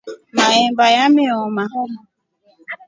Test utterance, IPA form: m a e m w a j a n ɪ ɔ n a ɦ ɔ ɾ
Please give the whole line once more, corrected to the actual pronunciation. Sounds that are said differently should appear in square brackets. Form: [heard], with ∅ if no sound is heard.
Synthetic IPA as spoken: m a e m [b] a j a [m] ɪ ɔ [m] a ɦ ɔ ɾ